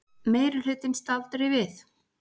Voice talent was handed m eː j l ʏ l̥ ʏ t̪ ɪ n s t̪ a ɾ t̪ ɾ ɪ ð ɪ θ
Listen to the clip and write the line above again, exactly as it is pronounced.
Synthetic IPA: m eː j ɾ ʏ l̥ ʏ t̪ ɪ n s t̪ a l t̪ ɾ ɪ v ɪ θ